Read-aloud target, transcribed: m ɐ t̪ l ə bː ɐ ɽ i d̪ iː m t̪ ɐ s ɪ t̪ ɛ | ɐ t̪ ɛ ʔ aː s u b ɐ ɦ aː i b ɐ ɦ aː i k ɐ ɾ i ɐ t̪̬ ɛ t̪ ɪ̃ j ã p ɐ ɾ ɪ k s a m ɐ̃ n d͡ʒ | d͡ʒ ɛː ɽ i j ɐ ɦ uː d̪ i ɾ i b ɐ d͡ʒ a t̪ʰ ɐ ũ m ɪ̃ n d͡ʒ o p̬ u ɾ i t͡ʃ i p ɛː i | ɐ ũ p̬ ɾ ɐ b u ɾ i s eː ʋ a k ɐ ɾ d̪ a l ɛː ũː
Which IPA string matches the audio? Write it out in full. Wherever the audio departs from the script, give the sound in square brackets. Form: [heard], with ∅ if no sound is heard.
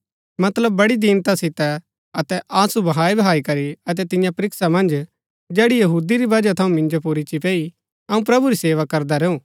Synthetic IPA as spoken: m ɐ t̪ l ə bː ɐ ɽ i d̪ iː [n] t̪ [a] s ɪ t̪ ɛ | ɐ t̪ ɛ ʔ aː s u b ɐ ɦ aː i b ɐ ɦ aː i k ɐ ɾ i ɐ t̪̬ ɛ t̪ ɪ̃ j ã p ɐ ɾ ɪ k s a m ɐ̃ n d͡ʒ | d͡ʒ ɛː ɽ i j ɐ ɦ uː d̪ i ɾ i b ɐ d͡ʒ a t̪ʰ ɐ ũ m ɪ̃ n d͡ʒ o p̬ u ɾ i t͡ʃ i p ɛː i | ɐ ũ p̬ ɾ ɐ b u ɾ i s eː ʋ a k ɐ ɾ d̪ a [ɾ] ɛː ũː